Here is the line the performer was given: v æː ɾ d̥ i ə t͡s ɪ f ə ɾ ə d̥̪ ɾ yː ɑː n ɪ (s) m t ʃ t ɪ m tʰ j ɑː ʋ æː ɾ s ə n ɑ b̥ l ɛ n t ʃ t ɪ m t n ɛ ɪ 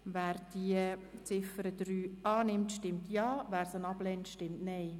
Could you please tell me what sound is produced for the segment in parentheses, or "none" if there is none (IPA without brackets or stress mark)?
none